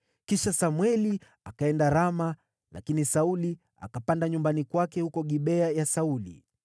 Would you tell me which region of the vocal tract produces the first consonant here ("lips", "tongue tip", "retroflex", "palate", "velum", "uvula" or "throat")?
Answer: velum